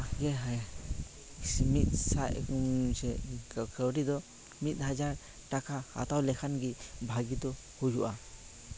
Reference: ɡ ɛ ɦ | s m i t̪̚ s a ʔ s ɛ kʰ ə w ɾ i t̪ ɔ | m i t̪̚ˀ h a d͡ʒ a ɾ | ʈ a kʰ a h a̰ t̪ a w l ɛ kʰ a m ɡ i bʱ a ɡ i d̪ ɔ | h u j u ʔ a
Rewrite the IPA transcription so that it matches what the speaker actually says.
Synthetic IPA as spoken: ɡ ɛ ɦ | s m i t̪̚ s a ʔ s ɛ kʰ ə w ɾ i d̪ ɔ | m i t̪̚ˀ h a d͡ʒ a ɾ | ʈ a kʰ a h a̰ t̪ a w l ɛ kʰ a n ɡ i bʱ a ɡ i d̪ ɔ | h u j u ʔ a